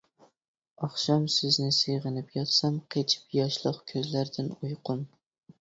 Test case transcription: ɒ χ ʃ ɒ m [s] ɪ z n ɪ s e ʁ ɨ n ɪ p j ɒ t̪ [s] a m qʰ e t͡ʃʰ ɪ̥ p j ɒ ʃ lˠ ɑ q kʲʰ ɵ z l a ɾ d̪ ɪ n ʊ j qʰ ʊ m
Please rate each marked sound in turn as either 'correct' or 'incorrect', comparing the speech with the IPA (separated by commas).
correct, correct